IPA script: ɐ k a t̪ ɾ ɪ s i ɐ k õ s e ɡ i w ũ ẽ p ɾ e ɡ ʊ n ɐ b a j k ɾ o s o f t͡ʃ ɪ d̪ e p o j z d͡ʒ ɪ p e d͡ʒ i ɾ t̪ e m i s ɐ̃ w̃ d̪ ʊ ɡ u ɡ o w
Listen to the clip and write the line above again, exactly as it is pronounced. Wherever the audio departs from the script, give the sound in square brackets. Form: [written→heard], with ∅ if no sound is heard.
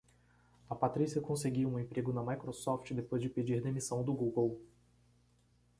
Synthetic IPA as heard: ɐ [k→p] a t̪ ɾ [ɪ→i] s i ɐ k õ s e ɡ i w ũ ẽ p ɾ e ɡ ʊ n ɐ [b→m] a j k ɾ o s [o→ɔ] f t͡ʃ ɪ d̪ e p o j z d͡ʒ ɪ p e d͡ʒ i ɾ [t̪→d̪] e m i s ɐ̃ w̃ d̪ ʊ ɡ u ɡ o w

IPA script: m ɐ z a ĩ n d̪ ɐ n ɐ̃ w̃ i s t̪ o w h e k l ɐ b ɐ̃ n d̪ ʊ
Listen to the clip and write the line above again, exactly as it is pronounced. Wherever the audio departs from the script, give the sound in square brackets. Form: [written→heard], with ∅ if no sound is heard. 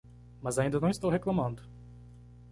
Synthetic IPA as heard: m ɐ z a ĩ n d̪ ɐ n ɐ̃ w̃ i s t̪ o w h e k l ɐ [b→m] ɐ̃ n d̪ ʊ

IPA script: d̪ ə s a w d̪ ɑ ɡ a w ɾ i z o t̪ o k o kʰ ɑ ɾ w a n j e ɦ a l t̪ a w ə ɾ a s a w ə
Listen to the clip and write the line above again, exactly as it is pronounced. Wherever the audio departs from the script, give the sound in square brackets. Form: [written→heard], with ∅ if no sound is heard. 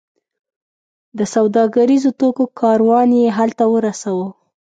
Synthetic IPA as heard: d̪ ə s a w d̪ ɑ ɡ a [w→∅] ɾ i z o t̪ o k o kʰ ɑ ɾ w [a→ɑ] n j e ɦ a l t̪ a w ə ɾ a s a w ə

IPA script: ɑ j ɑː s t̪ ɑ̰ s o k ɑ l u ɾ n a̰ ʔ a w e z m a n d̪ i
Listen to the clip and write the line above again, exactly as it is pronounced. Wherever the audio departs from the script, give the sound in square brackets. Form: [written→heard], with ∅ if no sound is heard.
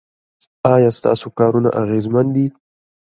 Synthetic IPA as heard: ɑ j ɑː s t̪ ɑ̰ s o k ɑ [l→ɾ] u [ɾ→∅] n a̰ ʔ a [w→ɣ] e z m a n d̪ i

